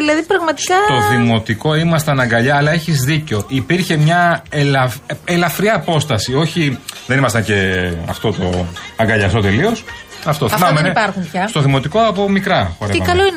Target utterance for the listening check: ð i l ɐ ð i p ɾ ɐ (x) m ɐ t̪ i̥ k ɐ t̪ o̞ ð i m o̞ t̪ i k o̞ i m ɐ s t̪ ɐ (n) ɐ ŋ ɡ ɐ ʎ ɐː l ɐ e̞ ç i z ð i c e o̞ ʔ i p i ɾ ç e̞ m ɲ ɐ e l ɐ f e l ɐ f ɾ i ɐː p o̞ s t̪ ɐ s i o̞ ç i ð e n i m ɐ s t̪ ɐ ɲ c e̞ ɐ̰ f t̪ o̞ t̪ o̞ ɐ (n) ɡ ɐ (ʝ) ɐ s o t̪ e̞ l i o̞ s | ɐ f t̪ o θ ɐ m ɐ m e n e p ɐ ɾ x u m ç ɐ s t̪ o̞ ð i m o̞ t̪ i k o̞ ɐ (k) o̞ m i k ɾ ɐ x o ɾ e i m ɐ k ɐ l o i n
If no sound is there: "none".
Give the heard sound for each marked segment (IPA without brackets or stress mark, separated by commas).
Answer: ɣ, n, ŋ, ʎ, p